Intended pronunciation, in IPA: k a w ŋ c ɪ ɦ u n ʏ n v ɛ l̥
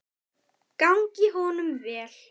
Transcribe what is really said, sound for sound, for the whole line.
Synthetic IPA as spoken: k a w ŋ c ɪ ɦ ɔ n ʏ m v ɛː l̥